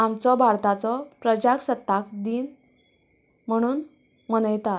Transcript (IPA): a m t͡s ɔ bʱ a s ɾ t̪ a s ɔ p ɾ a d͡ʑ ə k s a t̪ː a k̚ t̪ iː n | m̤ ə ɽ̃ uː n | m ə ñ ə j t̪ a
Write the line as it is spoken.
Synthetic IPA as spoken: a m t͡s ɔ bʱ a ɾ t̪ a t͡s ɔ p ɾ ə d͡ʑ a k s ə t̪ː a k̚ d̪ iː n | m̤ ə ɽ̃ uː n | m ə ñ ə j t̪ a